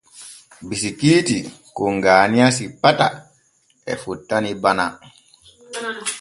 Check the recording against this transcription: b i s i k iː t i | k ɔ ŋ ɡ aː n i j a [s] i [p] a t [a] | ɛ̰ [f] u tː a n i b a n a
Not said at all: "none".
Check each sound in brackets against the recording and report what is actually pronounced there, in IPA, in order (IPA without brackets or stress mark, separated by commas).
s, p, a, f